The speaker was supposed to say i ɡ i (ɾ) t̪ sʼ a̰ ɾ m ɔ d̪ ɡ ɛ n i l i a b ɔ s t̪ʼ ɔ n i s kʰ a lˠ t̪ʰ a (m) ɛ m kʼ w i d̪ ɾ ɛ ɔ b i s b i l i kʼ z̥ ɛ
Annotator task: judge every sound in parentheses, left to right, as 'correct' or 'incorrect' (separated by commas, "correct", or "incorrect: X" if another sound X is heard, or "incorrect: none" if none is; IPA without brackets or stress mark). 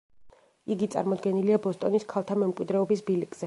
incorrect: none, correct